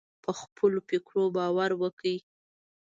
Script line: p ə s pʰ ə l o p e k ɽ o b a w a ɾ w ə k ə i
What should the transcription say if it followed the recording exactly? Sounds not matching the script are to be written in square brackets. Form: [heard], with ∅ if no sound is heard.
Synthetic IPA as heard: p ə [x] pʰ ə l o p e k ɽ o b [ɑ] w a ɾ w ə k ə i